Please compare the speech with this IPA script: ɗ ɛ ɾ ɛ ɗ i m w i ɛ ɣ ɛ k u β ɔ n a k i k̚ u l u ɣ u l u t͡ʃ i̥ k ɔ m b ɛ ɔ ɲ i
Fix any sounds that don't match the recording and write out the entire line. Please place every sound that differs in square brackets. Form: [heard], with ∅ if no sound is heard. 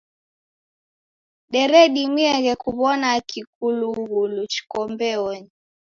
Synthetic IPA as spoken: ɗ ɛ ɾ ɛ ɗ i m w i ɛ ɣ ɛ k u β ɔ n a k i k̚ u l u ɣ u l u t͡ʃ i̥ k ɔ m b ɛ ɔ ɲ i